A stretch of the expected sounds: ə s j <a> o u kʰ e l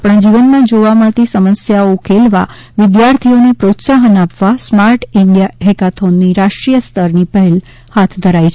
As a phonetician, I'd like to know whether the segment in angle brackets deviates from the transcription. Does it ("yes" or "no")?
no